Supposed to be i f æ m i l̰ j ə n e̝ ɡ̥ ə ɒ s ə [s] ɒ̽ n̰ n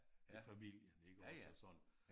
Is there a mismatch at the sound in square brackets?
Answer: no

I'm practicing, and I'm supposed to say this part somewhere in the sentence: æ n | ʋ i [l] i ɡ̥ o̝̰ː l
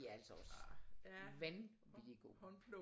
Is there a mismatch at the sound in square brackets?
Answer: no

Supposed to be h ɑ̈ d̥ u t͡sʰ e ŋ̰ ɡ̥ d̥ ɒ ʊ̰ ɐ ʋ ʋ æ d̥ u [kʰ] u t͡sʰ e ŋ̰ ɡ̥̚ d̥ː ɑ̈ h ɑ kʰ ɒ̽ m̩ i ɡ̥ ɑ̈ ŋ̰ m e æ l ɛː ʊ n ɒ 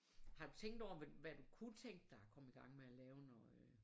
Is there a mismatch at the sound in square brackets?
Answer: no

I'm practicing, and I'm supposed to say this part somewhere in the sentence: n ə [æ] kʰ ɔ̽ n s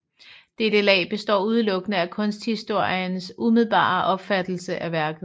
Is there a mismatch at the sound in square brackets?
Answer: no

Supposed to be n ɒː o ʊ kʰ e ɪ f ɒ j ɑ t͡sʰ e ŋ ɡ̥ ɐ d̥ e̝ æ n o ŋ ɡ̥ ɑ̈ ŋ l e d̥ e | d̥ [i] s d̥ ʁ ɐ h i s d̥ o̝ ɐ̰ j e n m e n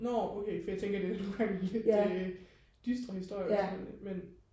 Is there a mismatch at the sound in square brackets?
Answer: yes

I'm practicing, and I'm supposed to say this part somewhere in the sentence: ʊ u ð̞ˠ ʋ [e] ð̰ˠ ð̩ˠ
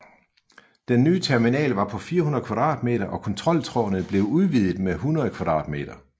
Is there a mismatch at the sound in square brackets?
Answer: yes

